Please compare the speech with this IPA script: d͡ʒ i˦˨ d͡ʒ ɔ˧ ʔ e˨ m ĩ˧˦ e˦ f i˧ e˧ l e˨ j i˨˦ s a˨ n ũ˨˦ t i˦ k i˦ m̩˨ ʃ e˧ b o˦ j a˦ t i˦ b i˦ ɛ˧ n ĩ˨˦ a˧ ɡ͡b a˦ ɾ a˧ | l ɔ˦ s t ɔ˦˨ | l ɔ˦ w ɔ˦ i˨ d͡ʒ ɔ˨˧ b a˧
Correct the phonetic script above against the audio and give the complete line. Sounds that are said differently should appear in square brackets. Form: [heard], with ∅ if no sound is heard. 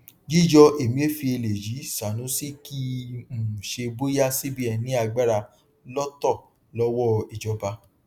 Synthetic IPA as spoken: d͡ʒ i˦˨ d͡ʒ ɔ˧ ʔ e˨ m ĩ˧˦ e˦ f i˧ e˧ l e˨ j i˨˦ s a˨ n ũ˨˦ [s] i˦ k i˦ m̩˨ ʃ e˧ b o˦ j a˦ [s] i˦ b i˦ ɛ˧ n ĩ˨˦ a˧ ɡ͡b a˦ ɾ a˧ | l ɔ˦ [∅] t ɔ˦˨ | l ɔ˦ w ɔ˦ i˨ d͡ʒ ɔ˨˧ b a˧